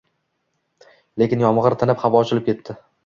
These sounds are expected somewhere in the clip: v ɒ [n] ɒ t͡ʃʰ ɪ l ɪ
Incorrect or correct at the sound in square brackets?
incorrect: none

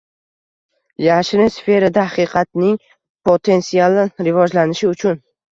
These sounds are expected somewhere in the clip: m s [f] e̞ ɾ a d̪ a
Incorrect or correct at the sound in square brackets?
correct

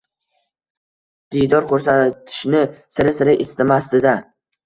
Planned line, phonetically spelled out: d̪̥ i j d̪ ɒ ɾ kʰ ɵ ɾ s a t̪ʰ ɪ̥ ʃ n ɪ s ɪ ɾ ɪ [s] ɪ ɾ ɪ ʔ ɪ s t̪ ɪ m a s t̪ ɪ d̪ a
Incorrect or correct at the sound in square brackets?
correct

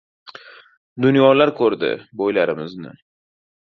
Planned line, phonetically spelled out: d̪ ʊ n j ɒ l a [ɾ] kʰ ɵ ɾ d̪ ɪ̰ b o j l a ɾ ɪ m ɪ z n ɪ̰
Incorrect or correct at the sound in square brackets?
correct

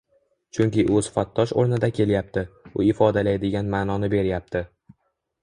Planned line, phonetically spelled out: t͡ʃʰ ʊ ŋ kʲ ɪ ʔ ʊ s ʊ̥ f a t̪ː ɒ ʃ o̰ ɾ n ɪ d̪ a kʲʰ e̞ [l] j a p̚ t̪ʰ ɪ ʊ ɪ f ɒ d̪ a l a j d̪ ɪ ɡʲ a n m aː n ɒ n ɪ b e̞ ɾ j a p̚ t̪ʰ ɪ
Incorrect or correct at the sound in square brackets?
correct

